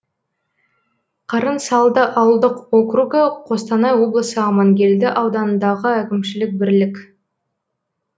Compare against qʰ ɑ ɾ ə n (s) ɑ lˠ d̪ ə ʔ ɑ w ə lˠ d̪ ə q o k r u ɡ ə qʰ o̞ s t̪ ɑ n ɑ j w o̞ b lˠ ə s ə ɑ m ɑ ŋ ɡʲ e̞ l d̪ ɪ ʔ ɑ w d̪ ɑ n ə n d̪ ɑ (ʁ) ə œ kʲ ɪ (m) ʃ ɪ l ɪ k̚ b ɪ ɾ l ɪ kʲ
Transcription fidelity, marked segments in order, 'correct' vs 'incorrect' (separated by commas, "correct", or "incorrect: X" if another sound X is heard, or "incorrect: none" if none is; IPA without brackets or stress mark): correct, correct, correct